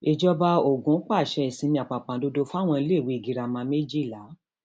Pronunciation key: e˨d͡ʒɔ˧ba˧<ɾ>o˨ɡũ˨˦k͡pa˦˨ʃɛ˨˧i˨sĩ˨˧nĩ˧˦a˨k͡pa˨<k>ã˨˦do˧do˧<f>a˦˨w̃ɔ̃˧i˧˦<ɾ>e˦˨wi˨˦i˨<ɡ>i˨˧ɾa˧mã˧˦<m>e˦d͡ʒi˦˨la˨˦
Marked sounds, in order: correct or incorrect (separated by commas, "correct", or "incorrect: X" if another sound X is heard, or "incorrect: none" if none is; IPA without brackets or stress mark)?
incorrect: none, incorrect: k͡p, correct, incorrect: l, correct, correct